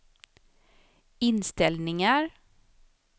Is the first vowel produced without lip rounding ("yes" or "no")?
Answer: yes